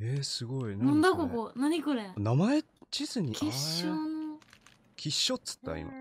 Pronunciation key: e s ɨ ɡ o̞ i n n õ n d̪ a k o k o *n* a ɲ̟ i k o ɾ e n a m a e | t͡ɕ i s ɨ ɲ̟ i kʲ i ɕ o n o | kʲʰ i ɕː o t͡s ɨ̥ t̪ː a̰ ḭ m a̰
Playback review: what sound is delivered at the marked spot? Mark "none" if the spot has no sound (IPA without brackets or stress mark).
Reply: n